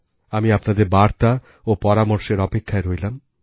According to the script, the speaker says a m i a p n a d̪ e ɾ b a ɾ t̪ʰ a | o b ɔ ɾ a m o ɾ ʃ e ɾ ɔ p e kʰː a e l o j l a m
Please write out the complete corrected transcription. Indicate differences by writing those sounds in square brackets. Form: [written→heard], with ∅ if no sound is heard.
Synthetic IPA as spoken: a m i a p n a d̪ e ɾ b a ɾ [t̪ʰ→t̪] a | o [b→p] ɔ ɾ a m o ɾ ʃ e ɾ ɔ p e kʰː a e [l→ɾ] o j l a m